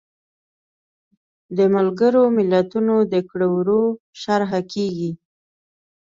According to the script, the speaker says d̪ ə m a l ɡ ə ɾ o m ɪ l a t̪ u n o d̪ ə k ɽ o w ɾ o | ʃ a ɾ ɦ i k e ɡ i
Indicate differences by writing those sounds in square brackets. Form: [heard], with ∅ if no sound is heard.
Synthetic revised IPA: d̪ ə m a l ɡ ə ɾ o m ɪ l a t̪ u n o d̪ ə k ɽ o w ɾ o | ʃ a ɾ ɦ [a] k e ɡ i